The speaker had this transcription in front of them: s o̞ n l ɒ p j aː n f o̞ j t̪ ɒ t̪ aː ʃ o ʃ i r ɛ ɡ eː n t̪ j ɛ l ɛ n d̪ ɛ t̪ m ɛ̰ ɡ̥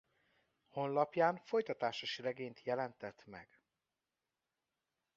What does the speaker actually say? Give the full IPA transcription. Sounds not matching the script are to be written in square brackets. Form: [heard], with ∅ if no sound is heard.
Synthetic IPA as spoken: [h] o̞ n l ɒ p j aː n f o̞ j t̪ ɒ t̪ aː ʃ o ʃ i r ɛ ɡ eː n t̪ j ɛ l ɛ n [t̪] ɛ t̪ m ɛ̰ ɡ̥